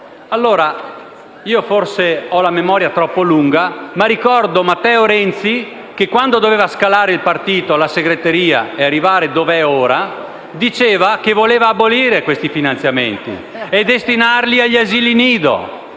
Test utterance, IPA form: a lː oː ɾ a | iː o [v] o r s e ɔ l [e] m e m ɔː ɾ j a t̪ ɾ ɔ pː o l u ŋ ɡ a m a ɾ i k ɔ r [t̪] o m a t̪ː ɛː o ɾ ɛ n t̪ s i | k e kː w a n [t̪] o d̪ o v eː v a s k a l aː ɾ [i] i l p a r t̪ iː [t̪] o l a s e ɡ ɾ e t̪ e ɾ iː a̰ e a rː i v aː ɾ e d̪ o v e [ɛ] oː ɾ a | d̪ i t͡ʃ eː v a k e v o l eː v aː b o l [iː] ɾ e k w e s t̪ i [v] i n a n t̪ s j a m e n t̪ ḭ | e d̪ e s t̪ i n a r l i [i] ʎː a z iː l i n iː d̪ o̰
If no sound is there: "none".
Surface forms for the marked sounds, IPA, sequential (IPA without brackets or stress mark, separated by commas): f, a, d̪, d̪, e, t̪, ɛ, iː, f, a